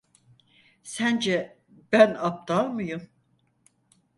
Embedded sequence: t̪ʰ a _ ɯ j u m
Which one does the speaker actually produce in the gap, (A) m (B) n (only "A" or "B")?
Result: A